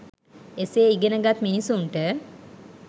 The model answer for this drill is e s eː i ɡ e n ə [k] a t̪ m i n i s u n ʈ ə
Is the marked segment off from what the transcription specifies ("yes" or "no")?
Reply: yes